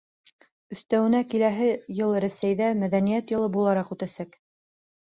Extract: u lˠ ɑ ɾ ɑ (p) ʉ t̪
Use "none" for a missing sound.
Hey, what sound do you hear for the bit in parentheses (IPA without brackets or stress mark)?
q